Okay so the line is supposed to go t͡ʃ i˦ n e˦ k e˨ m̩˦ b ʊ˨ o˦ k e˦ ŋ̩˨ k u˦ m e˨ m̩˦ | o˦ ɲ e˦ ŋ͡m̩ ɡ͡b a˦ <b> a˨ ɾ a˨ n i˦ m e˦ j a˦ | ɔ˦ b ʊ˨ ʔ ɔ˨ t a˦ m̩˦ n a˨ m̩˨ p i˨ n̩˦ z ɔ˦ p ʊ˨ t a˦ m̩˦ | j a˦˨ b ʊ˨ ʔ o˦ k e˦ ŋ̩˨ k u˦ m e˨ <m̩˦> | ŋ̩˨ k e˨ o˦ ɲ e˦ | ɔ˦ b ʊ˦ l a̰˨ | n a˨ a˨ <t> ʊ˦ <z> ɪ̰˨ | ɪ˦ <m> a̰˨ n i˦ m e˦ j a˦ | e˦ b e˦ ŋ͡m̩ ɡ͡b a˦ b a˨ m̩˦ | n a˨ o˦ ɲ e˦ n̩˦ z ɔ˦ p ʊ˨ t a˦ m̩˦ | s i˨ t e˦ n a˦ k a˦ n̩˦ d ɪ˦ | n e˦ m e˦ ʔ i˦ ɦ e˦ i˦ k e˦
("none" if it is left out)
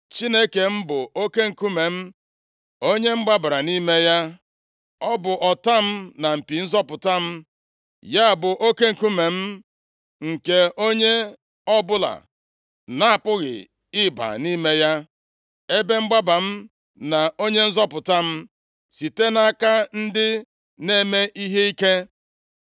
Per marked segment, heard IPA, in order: b, m̩˦, p, ɣ, b

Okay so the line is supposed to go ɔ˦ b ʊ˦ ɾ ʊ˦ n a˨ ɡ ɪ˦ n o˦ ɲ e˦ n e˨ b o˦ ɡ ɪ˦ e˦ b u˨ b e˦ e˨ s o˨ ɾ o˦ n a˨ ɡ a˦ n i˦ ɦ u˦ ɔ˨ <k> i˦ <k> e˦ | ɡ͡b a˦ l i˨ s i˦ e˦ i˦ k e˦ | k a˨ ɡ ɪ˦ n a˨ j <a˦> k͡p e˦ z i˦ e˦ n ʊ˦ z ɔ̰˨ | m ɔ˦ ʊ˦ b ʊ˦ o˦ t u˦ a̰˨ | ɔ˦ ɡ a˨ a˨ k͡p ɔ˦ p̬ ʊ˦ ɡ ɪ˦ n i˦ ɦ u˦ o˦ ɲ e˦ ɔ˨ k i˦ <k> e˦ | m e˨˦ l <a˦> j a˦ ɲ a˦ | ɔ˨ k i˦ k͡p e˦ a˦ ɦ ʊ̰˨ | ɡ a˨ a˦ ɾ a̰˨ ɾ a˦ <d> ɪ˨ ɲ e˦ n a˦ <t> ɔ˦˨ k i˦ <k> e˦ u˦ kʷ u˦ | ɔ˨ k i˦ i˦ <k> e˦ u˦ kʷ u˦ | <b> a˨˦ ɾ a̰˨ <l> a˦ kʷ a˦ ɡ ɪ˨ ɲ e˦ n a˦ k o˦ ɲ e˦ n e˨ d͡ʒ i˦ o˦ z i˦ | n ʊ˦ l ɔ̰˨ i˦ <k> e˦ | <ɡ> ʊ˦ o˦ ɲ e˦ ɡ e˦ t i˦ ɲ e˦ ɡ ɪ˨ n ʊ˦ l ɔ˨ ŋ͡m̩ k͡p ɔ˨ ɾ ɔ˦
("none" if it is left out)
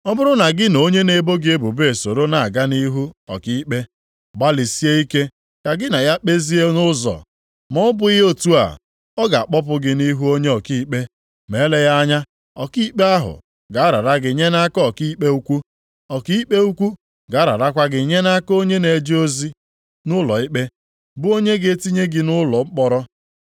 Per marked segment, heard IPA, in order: k, k͡p, a˦, k͡p, e˦, ɡ, k, k͡p, k͡p, ɡ, ɾ, k͡p, b

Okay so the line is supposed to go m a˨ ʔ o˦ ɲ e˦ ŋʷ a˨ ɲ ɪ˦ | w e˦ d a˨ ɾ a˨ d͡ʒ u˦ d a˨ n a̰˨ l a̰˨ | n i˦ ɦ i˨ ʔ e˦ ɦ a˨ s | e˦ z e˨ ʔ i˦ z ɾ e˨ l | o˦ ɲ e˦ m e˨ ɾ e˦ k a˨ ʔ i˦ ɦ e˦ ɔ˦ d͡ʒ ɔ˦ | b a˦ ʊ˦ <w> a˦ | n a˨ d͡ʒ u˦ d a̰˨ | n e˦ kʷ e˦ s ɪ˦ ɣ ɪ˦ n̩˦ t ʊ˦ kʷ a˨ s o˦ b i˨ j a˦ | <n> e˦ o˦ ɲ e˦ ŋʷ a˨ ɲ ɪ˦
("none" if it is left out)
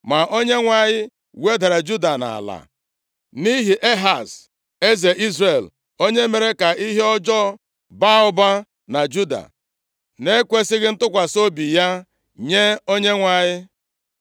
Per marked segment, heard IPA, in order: b, ɲ

